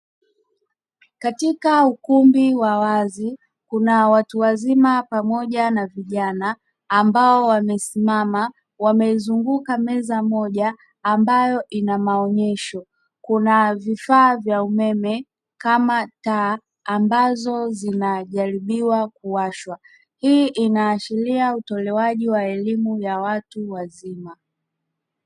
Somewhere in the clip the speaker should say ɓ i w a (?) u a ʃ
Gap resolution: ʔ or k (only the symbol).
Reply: k